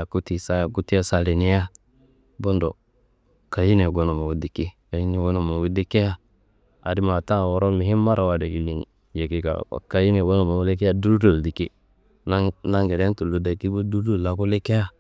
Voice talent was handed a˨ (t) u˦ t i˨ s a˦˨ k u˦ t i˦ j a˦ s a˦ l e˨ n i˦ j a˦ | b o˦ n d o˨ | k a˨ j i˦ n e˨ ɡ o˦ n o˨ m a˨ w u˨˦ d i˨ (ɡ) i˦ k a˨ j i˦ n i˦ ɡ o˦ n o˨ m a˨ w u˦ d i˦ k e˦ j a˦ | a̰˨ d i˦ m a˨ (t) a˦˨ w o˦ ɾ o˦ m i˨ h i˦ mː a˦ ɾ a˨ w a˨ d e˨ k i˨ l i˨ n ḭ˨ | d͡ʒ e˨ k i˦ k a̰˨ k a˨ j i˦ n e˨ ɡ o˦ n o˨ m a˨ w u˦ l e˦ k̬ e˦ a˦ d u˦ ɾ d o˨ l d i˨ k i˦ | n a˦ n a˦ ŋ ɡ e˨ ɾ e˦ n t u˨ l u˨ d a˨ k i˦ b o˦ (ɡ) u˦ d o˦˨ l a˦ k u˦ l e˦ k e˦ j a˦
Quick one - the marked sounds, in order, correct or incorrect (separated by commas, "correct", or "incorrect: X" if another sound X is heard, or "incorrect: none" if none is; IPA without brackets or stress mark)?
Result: incorrect: k, incorrect: k, correct, incorrect: d